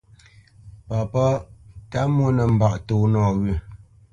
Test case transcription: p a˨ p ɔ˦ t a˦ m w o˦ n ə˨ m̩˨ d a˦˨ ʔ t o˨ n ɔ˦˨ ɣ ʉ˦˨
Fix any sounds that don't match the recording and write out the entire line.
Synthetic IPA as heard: p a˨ p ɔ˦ t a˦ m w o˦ n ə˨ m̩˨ b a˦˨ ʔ t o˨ n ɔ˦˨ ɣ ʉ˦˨